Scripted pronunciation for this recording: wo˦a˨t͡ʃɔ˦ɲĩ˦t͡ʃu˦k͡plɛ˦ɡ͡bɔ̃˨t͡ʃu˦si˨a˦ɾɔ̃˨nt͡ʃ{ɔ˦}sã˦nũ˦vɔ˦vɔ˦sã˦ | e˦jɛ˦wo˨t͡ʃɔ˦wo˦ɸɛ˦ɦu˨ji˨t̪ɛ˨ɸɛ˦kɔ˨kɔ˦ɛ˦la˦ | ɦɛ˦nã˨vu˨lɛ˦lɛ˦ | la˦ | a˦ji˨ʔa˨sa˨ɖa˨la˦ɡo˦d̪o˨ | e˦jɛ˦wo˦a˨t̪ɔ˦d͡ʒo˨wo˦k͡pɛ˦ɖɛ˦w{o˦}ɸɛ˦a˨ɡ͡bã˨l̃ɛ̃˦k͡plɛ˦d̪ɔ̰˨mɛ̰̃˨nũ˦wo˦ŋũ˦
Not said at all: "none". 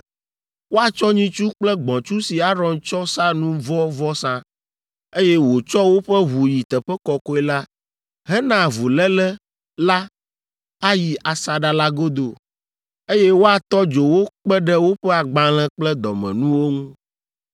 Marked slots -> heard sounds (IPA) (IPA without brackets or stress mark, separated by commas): ɔ˦, o˦